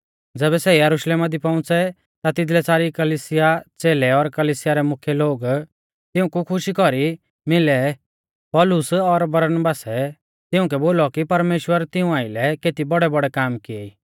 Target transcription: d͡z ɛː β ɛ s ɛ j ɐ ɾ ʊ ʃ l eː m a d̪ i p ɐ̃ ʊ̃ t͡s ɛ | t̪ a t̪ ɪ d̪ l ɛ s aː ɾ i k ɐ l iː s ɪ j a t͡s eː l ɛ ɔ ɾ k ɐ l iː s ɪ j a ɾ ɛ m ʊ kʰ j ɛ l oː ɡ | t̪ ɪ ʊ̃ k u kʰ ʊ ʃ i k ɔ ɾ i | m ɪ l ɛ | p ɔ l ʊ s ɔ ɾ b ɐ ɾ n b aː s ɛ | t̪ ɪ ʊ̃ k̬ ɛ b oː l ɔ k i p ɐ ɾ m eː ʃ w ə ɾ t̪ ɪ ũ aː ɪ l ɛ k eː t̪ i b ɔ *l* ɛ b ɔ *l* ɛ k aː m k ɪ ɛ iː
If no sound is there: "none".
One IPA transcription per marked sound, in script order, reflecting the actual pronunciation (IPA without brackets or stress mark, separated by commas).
ɽ, ɽ